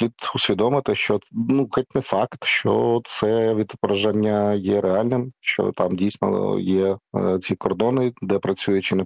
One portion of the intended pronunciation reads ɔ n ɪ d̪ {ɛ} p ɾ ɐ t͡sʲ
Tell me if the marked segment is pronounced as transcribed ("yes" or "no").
yes